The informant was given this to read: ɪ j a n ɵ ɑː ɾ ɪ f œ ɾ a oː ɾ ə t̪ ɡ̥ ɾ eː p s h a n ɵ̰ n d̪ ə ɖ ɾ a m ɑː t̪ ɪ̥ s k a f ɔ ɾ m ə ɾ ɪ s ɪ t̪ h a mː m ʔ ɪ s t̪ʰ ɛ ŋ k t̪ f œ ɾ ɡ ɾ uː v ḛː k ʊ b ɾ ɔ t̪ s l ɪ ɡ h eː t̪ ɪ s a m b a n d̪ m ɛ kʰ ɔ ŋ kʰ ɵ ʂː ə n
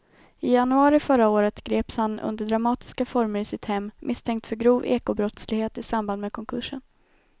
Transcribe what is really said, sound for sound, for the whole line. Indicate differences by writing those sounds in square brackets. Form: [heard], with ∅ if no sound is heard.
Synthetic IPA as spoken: ɪ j a n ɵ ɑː ɾ ɪ f œ ɾ a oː ɾ ə t̪ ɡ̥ ɾ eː p s h a n ɵ̰ n d̪ ə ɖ ɾ a m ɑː t̪ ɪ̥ s k a f ɔ ɾ m ə ɾ ɪ s ɪ t̪ h [ɛ] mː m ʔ ɪ s t̪ʰ ɛ ŋ k t̪ f œ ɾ ɡ ɾ uː v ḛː k ʊ b ɾ ɔ t̪ s l ɪ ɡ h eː t̪ ɪ s a m b a n d̪ m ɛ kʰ ɔ ŋ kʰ ɵ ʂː ə n

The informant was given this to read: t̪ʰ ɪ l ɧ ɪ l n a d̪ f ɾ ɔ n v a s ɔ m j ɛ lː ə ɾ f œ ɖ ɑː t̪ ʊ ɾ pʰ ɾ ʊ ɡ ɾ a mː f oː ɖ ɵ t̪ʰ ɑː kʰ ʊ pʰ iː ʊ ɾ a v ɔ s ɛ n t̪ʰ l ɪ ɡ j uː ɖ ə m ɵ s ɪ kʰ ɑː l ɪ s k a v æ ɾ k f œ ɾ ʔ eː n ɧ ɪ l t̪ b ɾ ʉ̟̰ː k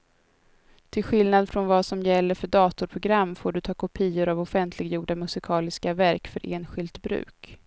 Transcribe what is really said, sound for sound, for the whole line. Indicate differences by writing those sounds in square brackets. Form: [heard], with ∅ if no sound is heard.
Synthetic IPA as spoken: t̪ʰ ɪ l ɧ ɪ l n a d̪ f ɾ ɔ n v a s ɔ m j ɛ lː ə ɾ f œ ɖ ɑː t̪ ʊ ɾ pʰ ɾ ʊ ɡ ɾ a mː f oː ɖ ɵ t̪ʰ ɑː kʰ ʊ pʰ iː ʊ ɾ a v ɔ [f] ɛ n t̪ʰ l ɪ ɡ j uː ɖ [a] m ɵ s ɪ kʰ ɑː l ɪ s k a v æ ɾ k f œ ɾ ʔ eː n ɧ ɪ l t̪ b ɾ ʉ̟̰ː k

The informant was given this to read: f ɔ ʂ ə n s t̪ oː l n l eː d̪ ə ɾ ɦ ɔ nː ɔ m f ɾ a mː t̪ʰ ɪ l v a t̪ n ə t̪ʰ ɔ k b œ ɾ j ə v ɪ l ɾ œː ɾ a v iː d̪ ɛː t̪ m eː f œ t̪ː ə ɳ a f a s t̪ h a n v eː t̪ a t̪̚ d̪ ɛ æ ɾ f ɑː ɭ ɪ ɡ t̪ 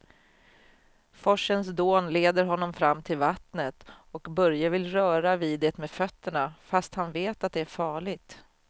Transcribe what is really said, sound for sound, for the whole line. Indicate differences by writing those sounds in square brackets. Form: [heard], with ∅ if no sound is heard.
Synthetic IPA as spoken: f ɔ ʂ ə n s [d̪] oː [∅] n l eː d̪ ə ɾ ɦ ɔ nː ɔ m f ɾ a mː t̪ʰ ɪ l v a t̪ n ə [t̪] ɔ k b œ ɾ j [a] v ɪ l ɾ œː ɾ a v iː d̪ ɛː t̪ m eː f œ t̪ː ə ɳ a f a s t̪ h a n v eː t̪ a t̪̚ d̪ ɛ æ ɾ f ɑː ɭ ɪ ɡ t̪

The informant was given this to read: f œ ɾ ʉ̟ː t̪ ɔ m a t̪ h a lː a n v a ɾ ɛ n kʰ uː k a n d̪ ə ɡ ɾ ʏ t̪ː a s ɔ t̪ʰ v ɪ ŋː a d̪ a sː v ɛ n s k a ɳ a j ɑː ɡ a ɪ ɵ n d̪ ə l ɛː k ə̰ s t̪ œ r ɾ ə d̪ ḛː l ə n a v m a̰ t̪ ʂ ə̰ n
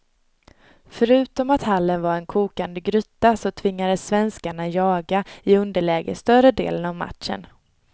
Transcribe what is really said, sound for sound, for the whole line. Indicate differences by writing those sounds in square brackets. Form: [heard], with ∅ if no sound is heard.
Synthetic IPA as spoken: f œ ɾ ʉ̟ː t̪ ɔ m a t̪ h a lː [ə] n v a ɾ ɛ n kʰ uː k a n d̪ ə ɡ ɾ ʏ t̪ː a s ɔ t̪ʰ v ɪ ŋː a d̪ [ə] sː v ɛ n s k a ɳ a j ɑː ɡ a ɪ ɵ n d̪ ə [ɭ] ɛː [ɡ] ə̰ s t̪ œ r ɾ ə d̪ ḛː l ə n a v m a̰ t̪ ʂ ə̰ n

